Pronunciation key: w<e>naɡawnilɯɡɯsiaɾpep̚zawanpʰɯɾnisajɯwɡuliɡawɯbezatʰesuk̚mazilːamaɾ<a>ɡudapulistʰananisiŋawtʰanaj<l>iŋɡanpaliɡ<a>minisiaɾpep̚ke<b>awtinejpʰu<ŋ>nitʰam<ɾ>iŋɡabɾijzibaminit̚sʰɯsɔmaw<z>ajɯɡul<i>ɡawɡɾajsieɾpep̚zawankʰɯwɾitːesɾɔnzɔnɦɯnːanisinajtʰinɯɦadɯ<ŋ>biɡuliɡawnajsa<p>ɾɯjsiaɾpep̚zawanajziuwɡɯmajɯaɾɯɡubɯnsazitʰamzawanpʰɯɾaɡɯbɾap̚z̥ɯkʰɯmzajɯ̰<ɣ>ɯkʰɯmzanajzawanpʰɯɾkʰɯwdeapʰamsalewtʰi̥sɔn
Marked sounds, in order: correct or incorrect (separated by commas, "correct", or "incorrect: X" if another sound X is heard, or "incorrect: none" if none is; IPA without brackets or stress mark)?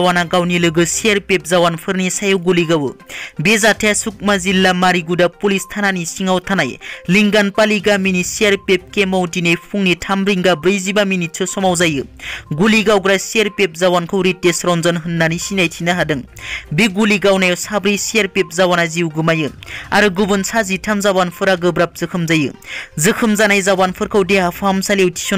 incorrect: a, incorrect: i, correct, correct, incorrect: m, correct, correct, correct, correct, correct, incorrect: b, incorrect: z